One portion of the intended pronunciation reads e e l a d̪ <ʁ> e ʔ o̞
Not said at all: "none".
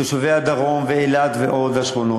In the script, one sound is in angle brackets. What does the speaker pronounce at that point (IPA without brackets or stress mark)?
v